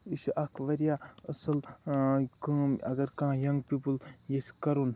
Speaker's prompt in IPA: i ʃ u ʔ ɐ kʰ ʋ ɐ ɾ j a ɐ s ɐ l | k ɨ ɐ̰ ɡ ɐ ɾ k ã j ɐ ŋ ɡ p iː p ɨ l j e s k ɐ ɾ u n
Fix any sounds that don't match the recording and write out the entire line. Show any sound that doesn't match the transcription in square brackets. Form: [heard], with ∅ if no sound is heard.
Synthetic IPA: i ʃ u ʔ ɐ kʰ ʋ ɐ ɾ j a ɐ s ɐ l | k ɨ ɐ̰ ɡ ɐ ɾ k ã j ɐ ŋ ɡ p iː p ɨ l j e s k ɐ ɾ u n